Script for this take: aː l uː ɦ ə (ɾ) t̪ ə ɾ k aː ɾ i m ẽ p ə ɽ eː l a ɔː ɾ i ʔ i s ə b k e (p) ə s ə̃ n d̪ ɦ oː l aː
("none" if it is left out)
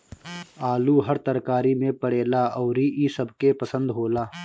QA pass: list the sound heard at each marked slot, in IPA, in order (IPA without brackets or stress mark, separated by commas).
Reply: ɾ, p